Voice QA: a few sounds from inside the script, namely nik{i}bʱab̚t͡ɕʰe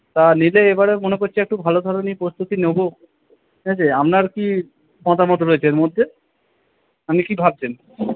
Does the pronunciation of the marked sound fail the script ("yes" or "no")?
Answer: no